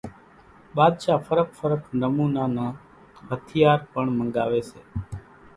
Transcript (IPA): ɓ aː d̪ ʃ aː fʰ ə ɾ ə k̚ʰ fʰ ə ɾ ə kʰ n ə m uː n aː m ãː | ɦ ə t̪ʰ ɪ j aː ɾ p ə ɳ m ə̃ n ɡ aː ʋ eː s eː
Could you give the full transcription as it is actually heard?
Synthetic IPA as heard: ɓ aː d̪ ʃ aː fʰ ə ɾ ə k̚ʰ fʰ ə ɾ ə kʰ n ə m uː n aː n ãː | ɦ ə t̪ʰ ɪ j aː ɾ p ə ɳ m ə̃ ŋ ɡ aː ʋ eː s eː